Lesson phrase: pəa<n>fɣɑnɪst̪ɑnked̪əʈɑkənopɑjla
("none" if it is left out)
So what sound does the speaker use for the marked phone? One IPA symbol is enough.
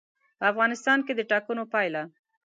none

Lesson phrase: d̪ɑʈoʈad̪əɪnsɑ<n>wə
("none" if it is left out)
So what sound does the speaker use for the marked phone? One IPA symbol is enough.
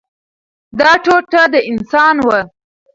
n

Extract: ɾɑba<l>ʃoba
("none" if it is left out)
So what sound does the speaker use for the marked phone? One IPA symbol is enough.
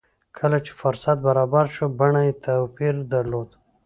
ɾ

